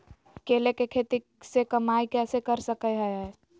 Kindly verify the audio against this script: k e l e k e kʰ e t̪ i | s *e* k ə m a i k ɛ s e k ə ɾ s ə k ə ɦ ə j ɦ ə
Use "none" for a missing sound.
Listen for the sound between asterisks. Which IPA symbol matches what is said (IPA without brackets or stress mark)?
e